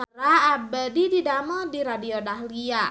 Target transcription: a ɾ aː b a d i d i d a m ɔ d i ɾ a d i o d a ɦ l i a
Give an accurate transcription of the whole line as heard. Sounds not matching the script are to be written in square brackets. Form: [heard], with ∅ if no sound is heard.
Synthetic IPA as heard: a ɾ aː b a d i d i d a m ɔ d i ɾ a d i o d a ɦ l i a

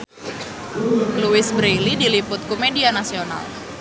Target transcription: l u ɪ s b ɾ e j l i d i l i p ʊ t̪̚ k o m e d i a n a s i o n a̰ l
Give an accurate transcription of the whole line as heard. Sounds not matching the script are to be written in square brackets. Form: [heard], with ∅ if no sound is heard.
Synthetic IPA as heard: l u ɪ s b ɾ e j l i d i l i p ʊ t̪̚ k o m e d i a n a s i o n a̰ l

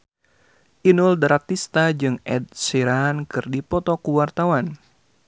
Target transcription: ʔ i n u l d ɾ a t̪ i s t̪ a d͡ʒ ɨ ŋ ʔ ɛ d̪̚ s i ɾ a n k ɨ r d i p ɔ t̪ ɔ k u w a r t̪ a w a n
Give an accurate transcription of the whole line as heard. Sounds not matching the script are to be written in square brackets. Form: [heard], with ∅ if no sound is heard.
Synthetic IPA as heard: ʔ i n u l d ɾ a t̪ i s t̪ a d͡ʒ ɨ ŋ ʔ ɛ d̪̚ s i ɾ a n k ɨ r d i p ɔ t̪ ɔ k u w a r t̪ a w a n

